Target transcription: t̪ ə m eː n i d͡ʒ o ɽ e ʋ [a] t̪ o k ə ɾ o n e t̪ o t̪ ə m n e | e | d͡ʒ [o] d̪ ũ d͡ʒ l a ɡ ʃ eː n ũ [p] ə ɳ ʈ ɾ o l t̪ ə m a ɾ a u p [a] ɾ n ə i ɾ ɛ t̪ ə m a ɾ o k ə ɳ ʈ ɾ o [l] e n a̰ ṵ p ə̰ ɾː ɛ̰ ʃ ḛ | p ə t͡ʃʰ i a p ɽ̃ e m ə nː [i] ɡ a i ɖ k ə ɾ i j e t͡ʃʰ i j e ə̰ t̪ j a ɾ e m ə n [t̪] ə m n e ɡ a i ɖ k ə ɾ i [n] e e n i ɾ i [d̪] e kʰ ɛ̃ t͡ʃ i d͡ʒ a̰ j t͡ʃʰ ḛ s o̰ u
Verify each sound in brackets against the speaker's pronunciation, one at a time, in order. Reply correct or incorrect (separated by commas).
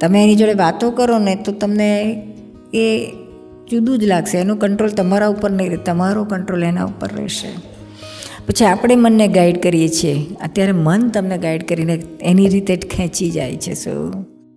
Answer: correct, incorrect, incorrect, incorrect, correct, incorrect, correct, correct, incorrect